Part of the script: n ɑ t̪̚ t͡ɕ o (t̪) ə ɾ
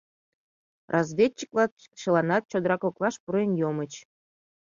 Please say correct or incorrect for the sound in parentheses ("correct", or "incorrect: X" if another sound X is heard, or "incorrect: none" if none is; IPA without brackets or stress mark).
incorrect: d̪